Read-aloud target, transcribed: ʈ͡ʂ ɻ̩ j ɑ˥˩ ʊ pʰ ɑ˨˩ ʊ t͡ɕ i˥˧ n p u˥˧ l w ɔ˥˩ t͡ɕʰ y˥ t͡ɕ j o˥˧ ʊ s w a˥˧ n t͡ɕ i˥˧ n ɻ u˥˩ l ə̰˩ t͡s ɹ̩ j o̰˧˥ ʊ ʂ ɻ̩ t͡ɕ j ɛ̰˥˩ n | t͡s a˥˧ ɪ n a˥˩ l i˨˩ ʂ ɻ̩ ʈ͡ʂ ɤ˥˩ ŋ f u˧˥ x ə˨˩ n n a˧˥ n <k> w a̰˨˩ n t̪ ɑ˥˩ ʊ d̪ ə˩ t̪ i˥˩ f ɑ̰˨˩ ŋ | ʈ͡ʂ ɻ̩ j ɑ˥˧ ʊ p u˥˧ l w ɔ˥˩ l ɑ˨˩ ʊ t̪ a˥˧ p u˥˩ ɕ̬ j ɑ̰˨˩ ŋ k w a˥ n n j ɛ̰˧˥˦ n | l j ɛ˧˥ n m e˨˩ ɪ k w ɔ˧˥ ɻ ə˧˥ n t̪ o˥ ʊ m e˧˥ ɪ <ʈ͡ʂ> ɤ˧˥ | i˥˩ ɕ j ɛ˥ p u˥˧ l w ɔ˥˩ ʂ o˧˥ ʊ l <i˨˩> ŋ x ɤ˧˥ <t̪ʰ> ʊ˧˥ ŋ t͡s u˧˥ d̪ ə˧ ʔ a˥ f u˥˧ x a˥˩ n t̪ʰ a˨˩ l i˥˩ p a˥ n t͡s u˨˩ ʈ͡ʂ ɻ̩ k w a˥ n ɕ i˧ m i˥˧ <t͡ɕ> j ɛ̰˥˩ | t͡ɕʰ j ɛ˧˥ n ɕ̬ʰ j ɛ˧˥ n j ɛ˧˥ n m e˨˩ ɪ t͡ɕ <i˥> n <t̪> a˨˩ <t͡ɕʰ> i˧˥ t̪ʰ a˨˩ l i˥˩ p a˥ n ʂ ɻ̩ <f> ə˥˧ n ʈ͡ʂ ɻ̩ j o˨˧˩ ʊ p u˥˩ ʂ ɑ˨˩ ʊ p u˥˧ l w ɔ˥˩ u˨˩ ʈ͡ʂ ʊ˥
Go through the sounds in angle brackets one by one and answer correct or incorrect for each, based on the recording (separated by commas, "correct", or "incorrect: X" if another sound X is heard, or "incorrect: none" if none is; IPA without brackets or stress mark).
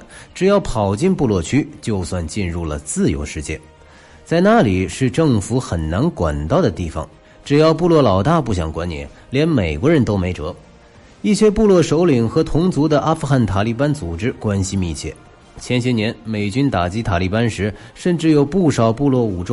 correct, correct, correct, correct, incorrect: t͡ɕʰ, incorrect: y˥, correct, incorrect: t͡ɕ, incorrect: ʂ